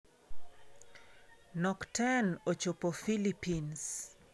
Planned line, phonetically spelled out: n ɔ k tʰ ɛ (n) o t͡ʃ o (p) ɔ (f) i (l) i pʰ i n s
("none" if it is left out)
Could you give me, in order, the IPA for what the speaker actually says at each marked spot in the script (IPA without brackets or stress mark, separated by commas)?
n, p, f, l